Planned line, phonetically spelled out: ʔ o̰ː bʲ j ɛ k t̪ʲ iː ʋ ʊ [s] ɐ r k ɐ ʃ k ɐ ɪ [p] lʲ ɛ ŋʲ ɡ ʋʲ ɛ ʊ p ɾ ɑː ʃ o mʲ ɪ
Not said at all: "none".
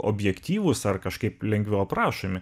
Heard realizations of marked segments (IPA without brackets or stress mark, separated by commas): s, p